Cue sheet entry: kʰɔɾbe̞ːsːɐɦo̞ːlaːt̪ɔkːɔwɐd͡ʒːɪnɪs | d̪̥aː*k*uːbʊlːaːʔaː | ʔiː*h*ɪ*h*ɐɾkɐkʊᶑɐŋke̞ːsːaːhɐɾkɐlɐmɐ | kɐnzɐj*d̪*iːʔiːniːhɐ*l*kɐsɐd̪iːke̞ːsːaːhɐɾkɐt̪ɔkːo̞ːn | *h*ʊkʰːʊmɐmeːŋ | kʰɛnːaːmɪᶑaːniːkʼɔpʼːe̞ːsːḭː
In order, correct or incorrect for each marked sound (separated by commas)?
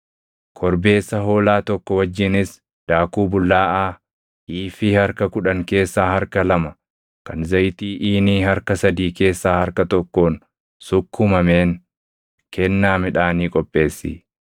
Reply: correct, incorrect, correct, incorrect, incorrect, incorrect